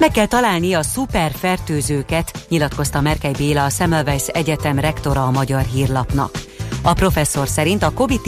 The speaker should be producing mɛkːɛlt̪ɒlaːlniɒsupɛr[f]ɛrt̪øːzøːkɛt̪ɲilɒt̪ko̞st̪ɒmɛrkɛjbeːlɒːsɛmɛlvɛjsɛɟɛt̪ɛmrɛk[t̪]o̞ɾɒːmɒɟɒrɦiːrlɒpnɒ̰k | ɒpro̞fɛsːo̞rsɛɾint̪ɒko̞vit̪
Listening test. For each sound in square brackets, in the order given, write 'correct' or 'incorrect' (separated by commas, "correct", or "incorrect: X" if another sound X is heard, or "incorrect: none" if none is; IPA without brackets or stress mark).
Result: correct, correct